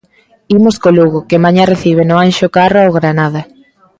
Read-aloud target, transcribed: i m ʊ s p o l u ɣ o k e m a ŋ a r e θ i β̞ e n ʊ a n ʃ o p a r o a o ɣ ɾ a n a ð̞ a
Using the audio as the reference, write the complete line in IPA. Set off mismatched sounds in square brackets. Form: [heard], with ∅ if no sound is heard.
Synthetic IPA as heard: i m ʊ s [k] o l u ɣ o k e m a [ɲ] a r e θ i β̞ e n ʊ a n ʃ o [k] a r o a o ɣ ɾ a n a ð̞ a